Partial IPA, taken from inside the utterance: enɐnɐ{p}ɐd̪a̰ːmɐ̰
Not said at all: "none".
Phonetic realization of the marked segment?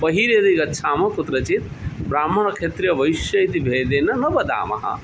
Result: b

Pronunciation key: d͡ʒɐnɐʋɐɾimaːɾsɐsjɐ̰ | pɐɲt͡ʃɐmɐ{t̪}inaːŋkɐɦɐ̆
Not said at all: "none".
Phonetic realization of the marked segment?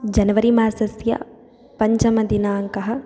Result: d̪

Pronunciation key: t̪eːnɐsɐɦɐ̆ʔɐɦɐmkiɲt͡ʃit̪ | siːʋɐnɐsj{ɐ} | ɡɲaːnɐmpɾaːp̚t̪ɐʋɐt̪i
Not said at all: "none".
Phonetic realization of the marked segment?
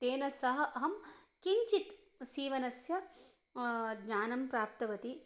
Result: ɐ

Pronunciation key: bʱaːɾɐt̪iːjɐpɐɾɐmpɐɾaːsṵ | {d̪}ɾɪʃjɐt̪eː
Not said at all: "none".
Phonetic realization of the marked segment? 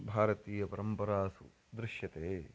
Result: d̪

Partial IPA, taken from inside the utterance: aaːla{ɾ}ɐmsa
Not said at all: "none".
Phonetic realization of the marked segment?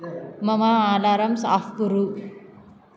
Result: ɾ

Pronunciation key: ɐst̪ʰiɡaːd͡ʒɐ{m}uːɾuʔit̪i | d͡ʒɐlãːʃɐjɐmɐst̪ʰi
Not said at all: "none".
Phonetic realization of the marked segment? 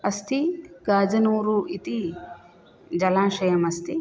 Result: n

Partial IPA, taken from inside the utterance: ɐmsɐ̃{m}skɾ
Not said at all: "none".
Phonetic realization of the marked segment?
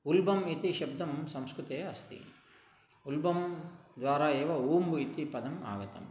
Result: m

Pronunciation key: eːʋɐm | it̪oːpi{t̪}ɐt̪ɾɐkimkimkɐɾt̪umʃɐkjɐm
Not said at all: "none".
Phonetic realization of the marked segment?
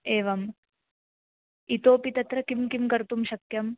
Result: t̪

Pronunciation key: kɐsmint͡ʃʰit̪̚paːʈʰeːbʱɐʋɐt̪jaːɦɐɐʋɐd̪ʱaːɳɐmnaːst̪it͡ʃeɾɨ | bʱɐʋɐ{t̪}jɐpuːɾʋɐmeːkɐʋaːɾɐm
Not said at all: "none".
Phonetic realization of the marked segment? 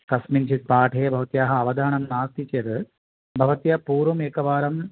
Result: t̪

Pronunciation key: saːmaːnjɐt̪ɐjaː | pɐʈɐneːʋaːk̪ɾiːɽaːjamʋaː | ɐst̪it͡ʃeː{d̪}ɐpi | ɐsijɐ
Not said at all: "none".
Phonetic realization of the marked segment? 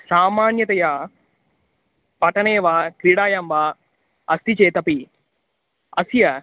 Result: t̪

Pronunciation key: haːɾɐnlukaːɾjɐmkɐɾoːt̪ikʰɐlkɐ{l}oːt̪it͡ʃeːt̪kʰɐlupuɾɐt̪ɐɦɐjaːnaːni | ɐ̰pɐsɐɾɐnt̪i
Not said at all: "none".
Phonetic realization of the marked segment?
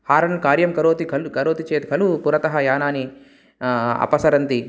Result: ɾ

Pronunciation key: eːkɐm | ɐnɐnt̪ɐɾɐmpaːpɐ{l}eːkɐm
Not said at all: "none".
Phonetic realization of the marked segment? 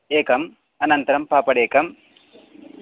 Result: ɽ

